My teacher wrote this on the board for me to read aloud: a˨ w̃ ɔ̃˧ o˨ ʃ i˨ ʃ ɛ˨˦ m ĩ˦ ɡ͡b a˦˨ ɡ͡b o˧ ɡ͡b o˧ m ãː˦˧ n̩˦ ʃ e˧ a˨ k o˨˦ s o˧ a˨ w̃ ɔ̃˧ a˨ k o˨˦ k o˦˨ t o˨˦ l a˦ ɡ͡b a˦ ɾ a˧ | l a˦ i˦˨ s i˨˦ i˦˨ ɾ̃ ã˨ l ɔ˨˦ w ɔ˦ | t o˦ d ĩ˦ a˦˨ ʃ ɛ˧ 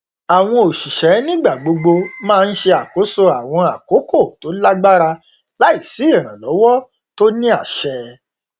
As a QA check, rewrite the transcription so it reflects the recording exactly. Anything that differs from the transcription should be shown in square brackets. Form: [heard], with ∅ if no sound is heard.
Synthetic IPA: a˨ w̃ ɔ̃˧ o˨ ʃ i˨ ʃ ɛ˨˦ [n] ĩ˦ ɡ͡b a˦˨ ɡ͡b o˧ ɡ͡b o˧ m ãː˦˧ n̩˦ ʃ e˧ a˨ k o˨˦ s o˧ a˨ w̃ ɔ̃˧ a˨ k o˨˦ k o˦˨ t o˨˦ l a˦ ɡ͡b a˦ ɾ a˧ | l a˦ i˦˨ s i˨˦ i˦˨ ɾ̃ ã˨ l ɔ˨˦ w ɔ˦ | t o˦ [n] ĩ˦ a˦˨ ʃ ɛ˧